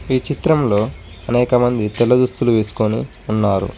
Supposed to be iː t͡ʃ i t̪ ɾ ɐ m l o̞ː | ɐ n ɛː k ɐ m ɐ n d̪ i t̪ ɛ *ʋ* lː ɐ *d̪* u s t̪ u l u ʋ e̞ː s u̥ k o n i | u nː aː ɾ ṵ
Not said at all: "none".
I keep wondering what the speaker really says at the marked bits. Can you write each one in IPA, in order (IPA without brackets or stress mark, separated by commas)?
none, d̪